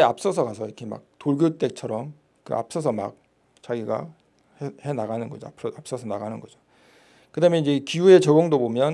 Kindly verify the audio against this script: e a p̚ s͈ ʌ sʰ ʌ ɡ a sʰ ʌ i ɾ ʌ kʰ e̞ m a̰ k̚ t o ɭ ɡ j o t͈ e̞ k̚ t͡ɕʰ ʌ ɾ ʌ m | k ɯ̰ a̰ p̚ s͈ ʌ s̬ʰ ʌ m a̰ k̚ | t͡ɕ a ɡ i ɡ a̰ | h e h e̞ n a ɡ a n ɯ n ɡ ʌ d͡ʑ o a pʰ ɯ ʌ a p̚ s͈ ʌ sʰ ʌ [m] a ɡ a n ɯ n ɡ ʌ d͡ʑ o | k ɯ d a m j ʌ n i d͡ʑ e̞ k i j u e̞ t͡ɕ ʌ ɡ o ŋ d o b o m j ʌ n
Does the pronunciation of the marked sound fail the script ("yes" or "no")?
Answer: yes